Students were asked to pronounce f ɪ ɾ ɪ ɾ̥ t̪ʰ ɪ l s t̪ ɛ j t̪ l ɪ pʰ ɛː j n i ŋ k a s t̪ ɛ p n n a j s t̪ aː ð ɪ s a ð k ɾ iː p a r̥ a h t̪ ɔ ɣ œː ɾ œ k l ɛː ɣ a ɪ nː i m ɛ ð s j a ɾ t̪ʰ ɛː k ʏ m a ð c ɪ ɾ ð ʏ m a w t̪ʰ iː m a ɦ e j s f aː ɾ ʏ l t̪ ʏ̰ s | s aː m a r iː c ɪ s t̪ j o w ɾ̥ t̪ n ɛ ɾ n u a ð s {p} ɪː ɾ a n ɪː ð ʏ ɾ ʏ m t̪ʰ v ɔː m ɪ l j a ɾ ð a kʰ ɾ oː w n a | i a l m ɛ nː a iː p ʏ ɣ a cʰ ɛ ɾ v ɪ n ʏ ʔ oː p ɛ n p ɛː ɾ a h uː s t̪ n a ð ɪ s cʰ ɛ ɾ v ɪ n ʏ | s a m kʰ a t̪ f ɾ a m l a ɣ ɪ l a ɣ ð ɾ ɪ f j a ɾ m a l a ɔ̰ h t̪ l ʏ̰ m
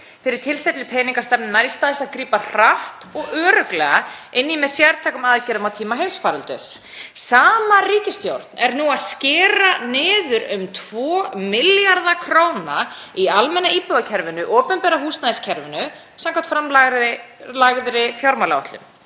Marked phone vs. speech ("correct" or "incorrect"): incorrect